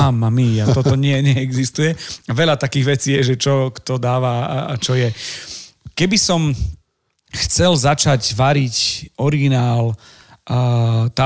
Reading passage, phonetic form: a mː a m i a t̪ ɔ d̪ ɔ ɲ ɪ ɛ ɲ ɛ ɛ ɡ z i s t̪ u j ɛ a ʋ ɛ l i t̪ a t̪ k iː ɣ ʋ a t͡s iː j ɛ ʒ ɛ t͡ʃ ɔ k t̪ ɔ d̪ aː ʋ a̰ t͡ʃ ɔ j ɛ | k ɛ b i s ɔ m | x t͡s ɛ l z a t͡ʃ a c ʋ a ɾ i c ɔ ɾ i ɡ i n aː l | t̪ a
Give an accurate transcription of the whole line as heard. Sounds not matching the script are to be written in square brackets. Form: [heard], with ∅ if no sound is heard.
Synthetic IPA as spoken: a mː a m i a t̪ ɔ [t̪] ɔ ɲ ɪ ɛ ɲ ɛ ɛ ɡ z i s t̪ u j ɛ a ʋ ɛ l [a] t̪ a [∅] k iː ɣ ʋ [ɛ] t͡s iː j ɛ ʒ ɛ t͡ʃ ɔ k t̪ ɔ d̪ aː ʋ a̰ t͡ʃ ɔ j ɛ | k ɛ b i s ɔ m | x t͡s ɛ l z a t͡ʃ a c ʋ a ɾ i c ɔ ɾ i ɡ i n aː l | t̪ a